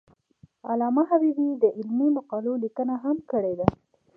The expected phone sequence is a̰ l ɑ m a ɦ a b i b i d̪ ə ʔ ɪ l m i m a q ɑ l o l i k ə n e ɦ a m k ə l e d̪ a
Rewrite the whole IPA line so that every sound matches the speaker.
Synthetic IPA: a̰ l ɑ m a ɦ a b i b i d̪ ə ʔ ɪ l m i m a q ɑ l o l i k ə n a ɦ a m k ə ɽ e d̪ a